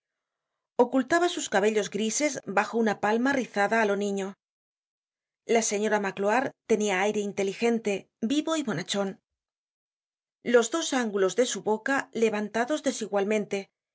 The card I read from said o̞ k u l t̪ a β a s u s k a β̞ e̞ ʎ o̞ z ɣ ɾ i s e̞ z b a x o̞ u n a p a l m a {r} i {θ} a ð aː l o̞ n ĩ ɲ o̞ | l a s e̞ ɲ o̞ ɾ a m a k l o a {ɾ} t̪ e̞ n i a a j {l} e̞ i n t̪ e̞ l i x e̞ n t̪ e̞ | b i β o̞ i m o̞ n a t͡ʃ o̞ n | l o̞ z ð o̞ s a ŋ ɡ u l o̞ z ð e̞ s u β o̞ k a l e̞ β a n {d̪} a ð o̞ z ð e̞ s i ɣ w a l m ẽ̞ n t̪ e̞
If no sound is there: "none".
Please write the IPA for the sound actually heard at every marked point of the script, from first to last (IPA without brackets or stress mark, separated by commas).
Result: r, θ, ɾ, ɾ, t̪